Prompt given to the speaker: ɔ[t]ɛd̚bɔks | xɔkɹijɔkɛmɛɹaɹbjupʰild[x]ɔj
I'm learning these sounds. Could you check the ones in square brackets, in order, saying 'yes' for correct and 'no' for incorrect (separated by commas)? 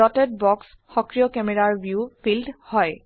yes, no